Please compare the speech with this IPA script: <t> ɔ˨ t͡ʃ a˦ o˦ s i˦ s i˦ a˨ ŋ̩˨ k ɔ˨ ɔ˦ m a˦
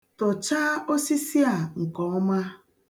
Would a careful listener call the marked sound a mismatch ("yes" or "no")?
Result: no